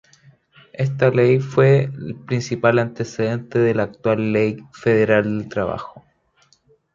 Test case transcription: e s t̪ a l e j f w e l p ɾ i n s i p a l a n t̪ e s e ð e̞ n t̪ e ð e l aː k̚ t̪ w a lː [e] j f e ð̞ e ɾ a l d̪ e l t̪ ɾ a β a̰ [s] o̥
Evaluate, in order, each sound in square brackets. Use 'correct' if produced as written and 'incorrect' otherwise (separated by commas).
correct, incorrect